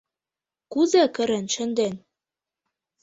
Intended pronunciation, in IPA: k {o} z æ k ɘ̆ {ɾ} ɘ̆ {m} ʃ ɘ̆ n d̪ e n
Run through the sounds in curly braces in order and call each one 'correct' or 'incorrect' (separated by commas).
incorrect, correct, incorrect